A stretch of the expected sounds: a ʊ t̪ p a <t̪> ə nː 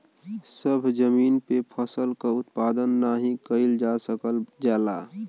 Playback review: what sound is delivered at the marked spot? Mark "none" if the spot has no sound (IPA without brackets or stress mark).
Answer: d̪